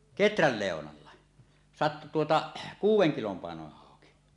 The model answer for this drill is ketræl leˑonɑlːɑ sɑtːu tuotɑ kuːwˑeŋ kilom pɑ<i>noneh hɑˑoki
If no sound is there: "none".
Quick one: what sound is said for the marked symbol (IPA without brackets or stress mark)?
e